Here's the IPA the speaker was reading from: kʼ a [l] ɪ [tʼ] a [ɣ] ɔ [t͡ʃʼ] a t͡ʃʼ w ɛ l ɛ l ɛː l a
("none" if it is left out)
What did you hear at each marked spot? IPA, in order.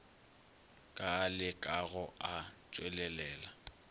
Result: l, kʼ, ɣ, none

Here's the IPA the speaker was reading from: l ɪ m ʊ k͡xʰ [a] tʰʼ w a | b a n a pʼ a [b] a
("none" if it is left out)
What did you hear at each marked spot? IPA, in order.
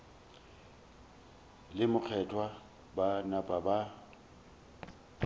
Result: ɛ, b

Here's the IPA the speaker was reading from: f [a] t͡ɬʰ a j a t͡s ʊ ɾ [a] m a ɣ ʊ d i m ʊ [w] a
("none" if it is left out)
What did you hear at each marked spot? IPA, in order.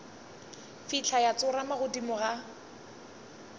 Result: i, a, ɣ

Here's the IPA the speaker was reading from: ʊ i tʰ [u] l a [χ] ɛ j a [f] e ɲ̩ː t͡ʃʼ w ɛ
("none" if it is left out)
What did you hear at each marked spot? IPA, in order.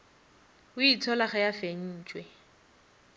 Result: ɔ, χ, f

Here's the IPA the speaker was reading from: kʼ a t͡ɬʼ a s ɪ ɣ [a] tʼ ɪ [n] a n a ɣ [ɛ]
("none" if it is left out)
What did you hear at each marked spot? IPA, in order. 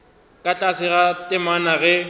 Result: a, m, ɛ

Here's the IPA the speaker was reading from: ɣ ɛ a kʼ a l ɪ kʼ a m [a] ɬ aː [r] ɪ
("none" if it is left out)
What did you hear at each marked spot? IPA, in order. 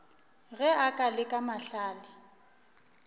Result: a, l

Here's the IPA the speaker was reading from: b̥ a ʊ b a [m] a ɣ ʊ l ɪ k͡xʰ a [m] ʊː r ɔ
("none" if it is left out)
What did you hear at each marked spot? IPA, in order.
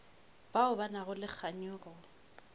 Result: n, ɲ

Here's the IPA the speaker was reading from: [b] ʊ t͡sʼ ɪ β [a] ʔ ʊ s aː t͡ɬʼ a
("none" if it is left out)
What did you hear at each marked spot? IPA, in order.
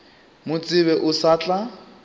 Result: m, ɛ

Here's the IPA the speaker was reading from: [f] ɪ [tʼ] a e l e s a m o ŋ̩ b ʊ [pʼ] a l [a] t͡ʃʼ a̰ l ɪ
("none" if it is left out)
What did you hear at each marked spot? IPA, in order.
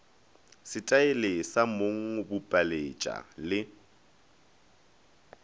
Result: s, tʼ, pʼ, e

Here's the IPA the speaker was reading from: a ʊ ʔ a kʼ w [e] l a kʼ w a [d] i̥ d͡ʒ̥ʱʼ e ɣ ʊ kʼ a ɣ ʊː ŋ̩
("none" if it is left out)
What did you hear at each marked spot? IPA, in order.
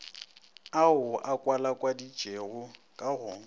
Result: a, d

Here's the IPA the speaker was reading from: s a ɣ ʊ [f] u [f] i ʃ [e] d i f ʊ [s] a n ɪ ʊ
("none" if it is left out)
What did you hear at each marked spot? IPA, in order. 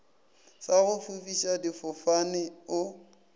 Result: f, f, a, f

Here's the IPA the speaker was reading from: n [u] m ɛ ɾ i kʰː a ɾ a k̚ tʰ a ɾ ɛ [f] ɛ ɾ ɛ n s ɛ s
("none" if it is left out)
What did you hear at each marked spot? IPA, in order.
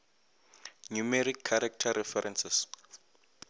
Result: u, f

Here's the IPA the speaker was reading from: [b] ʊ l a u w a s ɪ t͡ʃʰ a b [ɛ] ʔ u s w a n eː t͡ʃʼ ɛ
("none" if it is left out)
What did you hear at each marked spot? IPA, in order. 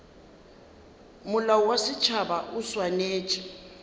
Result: m, a

